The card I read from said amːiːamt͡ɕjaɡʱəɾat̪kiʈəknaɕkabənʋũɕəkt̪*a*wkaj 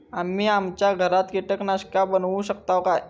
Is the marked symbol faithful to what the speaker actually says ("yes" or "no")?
yes